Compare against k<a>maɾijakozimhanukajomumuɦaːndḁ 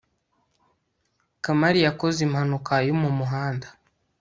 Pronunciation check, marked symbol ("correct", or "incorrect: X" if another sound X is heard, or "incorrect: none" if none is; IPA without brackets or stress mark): correct